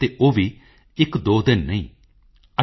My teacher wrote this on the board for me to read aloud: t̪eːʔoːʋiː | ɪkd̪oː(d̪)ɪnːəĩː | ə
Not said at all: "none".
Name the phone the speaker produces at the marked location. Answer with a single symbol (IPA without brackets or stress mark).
d̪